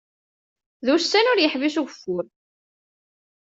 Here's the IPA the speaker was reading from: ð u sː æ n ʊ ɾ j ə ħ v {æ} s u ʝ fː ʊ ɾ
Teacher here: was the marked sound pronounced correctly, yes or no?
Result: no